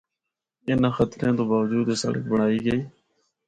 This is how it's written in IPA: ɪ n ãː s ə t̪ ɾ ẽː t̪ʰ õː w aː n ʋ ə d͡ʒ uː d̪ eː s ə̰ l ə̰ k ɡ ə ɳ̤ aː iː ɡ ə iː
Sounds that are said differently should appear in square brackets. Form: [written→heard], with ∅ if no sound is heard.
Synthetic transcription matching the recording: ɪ n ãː [s→x] ə t̪ ɾ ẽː [t̪ʰ→t̪] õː [w→b] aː [n→∅] ʋ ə d͡ʒ uː d̪ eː s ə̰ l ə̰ k [ɡ→b] ə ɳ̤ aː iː ɡ ə iː